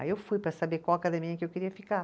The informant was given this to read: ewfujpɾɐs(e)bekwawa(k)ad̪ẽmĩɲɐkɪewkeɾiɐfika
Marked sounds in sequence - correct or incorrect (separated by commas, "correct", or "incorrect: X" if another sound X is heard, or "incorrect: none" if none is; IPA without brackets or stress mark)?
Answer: incorrect: a, correct